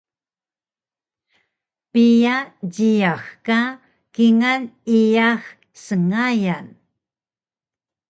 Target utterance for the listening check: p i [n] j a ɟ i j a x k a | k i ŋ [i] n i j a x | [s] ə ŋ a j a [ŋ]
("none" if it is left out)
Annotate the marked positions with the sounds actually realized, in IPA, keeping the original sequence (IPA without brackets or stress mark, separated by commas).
none, a, s, n